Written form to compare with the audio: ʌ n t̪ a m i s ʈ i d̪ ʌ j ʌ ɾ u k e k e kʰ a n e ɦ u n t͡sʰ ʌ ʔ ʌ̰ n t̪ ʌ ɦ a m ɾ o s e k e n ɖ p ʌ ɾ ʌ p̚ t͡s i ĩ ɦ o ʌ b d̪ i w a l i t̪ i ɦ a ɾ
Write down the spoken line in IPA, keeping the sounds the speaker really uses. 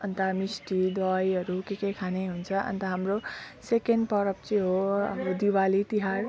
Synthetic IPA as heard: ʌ n t̪ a m i s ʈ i d̪ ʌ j ʌ ɾ u k e k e kʰ a n e ɦ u n t͡sʰ ʌ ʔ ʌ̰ n t̪ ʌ ɦ a m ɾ o s e k e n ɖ p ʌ ɾ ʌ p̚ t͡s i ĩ ɦ o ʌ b d̪ i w a l i t̪ i ɦ a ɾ